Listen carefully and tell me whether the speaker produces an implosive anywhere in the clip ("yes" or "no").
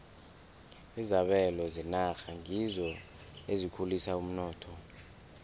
yes